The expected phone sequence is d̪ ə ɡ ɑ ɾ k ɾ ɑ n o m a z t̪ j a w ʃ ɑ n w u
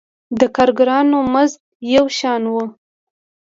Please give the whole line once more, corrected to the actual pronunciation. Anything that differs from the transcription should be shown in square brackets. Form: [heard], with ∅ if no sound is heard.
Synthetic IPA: d̪ ə [k] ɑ ɾ [ɡ] ɾ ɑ n o m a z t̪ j a w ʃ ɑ n w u